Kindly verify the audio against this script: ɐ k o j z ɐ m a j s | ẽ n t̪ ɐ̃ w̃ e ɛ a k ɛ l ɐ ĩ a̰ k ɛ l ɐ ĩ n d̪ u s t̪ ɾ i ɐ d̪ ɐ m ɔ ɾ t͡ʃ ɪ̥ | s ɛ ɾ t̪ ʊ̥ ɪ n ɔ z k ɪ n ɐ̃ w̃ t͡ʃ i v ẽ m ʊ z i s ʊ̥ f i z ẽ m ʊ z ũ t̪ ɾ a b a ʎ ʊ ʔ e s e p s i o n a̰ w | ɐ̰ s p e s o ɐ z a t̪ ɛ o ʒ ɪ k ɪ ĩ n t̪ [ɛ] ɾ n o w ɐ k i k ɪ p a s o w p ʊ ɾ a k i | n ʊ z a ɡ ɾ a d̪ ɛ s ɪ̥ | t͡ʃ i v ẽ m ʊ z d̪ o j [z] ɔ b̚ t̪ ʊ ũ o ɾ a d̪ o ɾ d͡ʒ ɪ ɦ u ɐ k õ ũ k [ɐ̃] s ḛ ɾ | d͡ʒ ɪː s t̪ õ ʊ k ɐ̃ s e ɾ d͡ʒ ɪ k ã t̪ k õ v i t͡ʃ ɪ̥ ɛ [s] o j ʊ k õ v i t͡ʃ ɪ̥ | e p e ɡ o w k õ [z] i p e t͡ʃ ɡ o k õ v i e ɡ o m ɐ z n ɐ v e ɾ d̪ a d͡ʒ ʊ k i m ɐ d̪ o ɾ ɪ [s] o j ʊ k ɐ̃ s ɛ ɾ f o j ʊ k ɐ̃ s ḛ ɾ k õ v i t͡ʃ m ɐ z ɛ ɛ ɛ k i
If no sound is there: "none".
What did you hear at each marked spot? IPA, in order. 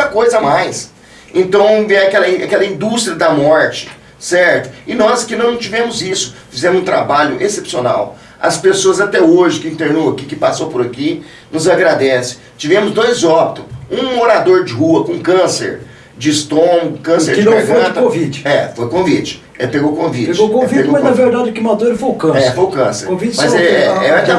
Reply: e, z, ɐ̃, f, v, f

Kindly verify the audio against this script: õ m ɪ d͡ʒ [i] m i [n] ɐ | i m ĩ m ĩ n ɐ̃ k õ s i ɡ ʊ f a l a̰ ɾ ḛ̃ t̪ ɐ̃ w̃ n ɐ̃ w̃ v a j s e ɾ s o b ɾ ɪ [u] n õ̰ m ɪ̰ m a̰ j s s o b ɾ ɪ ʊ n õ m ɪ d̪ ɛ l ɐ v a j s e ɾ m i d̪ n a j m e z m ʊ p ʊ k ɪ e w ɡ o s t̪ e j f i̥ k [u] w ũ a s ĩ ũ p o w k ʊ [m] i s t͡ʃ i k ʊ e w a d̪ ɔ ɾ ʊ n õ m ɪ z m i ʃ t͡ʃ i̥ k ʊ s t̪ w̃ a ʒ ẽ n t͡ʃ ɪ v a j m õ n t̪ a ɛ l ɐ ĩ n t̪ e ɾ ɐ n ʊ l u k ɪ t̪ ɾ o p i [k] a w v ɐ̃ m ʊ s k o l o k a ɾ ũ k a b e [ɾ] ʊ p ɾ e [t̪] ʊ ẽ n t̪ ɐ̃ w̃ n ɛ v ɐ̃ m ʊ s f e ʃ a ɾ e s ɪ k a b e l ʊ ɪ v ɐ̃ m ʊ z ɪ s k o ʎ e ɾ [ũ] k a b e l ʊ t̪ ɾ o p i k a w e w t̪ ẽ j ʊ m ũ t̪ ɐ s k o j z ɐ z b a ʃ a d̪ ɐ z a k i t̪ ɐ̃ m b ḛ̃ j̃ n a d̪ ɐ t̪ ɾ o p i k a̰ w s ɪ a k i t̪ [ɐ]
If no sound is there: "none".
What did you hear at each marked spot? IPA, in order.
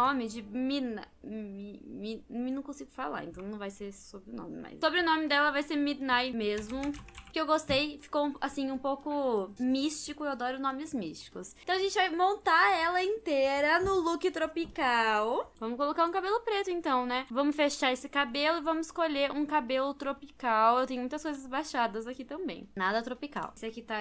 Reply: ɪ, n, ʊ, o, m, k, l, t̪, ũ, a

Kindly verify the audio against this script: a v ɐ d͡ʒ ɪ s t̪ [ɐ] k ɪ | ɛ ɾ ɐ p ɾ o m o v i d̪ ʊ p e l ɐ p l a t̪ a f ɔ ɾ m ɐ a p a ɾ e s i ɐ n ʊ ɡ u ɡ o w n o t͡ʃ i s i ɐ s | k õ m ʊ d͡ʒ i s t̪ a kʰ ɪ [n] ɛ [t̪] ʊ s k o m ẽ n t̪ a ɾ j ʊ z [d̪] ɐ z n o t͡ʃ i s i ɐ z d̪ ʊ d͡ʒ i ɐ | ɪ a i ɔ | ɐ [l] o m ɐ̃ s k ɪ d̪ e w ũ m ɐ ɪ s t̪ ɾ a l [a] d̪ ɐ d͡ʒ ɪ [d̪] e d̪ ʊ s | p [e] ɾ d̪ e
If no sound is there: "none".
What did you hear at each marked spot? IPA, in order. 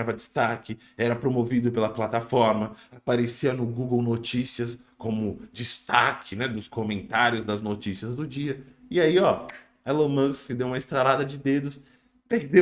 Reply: a, n, d̪, d̪, l, a, d̪, e

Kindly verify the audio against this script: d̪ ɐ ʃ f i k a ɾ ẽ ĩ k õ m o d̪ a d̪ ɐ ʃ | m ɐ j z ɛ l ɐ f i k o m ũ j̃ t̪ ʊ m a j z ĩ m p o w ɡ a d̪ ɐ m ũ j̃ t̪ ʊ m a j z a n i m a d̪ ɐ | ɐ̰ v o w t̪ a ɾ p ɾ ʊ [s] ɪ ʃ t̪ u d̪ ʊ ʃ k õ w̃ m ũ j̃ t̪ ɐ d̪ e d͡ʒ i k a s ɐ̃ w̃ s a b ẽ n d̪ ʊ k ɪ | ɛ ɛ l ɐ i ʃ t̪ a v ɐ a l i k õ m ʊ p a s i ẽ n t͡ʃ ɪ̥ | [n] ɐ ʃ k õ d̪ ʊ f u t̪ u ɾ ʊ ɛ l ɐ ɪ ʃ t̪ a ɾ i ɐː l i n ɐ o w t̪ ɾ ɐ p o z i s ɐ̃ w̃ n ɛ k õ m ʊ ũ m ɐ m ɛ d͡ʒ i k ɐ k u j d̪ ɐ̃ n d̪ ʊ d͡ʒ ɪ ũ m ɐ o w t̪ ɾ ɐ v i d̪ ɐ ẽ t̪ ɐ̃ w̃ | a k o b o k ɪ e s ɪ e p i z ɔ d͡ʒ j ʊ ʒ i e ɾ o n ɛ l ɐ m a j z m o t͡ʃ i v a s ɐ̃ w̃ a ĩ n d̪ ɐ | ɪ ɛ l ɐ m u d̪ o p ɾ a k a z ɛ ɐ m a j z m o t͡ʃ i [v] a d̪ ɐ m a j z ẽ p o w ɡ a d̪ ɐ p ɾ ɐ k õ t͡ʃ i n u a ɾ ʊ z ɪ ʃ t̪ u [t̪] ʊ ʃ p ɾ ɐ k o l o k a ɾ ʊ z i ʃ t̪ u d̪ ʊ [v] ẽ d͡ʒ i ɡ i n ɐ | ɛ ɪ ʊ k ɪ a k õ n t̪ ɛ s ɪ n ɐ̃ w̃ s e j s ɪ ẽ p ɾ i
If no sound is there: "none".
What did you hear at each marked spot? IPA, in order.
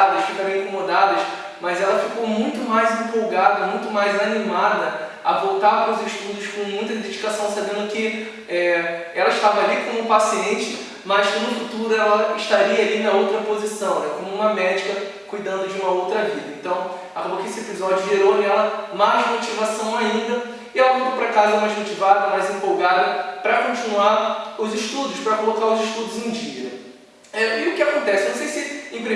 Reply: z, m, v, d̪, z

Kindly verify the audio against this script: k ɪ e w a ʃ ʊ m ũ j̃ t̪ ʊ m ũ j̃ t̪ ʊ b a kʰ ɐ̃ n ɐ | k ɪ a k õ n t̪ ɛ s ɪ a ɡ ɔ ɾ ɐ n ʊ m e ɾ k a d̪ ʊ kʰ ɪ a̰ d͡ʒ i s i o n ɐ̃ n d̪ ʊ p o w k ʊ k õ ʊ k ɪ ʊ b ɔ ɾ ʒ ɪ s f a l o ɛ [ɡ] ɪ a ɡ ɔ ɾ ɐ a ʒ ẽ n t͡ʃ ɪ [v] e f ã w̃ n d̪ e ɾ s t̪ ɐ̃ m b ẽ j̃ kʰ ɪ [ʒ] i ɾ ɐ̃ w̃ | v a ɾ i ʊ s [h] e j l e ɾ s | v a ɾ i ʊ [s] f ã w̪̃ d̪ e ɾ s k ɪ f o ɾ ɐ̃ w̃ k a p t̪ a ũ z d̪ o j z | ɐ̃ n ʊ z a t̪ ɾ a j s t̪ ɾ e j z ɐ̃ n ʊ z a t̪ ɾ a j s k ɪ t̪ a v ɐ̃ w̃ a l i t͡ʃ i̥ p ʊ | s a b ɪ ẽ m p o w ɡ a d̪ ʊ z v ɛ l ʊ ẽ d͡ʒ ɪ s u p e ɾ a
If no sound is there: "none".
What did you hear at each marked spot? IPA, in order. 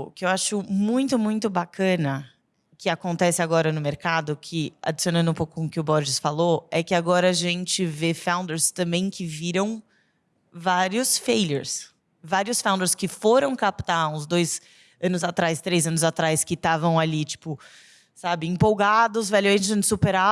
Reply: k, v, v, f, s

